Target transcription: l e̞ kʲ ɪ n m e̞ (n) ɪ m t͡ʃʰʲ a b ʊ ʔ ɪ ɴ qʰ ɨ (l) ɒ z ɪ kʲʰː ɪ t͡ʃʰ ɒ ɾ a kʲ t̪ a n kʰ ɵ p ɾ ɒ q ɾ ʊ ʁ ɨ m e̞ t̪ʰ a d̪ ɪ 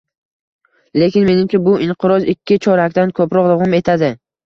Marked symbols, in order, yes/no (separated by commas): yes, no